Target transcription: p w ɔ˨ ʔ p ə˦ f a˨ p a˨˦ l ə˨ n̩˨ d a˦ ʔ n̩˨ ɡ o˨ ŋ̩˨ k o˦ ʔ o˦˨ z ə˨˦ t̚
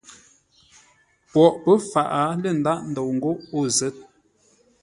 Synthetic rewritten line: p w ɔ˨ ʔ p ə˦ f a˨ ʔ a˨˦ l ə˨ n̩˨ d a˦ ʔ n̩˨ d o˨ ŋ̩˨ ɡ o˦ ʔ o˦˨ z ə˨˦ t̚